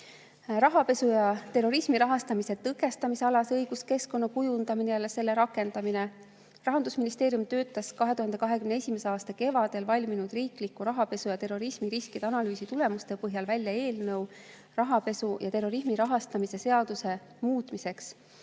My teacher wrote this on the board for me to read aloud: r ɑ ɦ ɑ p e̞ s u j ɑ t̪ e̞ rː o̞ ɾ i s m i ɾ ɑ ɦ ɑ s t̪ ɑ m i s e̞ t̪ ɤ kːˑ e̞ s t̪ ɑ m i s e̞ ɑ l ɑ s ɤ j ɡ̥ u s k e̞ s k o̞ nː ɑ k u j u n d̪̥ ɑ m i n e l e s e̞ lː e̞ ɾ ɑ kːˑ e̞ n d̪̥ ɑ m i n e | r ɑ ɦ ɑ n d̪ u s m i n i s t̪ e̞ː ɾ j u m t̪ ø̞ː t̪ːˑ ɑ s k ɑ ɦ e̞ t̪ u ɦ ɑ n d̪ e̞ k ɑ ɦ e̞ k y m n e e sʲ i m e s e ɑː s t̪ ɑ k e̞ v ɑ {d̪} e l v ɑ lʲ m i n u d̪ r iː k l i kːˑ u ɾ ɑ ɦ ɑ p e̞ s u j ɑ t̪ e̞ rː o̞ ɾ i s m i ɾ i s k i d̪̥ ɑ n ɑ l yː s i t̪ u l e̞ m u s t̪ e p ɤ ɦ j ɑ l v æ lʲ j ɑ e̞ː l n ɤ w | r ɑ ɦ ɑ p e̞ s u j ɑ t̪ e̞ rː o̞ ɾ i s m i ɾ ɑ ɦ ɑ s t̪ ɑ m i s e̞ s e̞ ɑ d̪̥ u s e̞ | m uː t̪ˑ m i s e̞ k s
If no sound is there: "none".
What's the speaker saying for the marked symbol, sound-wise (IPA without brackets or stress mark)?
d̪